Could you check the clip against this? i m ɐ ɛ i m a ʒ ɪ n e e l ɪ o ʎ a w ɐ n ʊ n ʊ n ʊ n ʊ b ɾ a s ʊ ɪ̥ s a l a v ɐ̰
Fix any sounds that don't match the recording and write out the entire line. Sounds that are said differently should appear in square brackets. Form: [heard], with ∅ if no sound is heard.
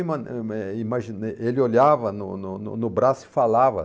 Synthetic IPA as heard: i m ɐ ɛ i m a ʒ [i] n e e l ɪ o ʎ a [v] ɐ n ʊ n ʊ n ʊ n ʊ b ɾ a s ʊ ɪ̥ [f] a l a v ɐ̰